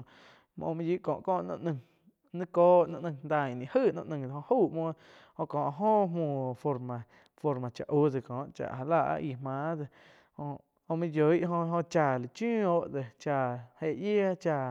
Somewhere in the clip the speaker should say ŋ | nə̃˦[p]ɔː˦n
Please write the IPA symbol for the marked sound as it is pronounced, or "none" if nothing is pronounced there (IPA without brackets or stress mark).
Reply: k